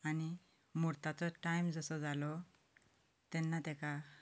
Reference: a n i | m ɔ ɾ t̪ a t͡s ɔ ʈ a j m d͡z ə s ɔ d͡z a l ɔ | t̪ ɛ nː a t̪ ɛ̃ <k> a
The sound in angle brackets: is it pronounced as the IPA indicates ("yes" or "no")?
yes